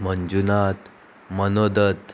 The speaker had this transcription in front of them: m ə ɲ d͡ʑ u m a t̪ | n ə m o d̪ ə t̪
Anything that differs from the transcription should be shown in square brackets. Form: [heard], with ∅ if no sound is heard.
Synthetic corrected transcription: m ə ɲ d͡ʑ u [n] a t̪ | [m] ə [n] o d̪ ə t̪